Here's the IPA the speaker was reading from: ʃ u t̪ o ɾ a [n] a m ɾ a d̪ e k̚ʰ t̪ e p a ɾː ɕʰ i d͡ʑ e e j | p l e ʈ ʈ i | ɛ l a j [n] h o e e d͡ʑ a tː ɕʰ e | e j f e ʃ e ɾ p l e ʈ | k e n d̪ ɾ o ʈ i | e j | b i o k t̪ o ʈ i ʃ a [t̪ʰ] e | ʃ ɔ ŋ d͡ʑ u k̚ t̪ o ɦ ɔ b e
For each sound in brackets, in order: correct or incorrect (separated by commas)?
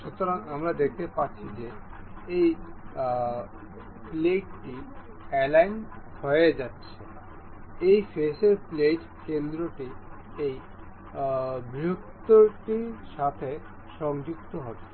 incorrect, correct, correct